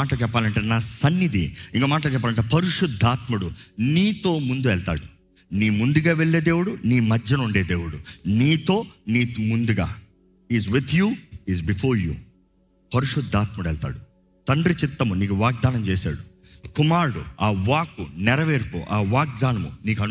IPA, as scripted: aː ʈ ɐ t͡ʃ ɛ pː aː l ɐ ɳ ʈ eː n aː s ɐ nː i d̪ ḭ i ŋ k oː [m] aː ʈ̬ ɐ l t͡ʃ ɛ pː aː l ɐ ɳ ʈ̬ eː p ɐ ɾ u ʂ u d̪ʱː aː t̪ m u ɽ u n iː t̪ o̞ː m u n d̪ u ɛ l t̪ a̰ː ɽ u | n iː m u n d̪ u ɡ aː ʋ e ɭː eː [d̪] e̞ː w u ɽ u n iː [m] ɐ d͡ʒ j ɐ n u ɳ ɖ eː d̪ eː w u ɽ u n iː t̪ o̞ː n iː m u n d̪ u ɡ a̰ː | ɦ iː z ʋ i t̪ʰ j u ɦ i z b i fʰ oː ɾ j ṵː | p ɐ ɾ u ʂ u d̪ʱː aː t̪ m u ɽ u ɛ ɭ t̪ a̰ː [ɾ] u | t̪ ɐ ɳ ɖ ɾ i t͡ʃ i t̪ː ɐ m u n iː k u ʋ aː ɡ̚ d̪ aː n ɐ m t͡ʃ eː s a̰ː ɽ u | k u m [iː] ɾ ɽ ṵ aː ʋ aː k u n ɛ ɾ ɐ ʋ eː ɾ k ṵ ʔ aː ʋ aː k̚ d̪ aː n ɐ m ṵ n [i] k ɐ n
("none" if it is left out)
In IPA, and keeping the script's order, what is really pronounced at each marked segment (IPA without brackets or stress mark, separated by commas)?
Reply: m, d̪, m, ɽ, aː, iː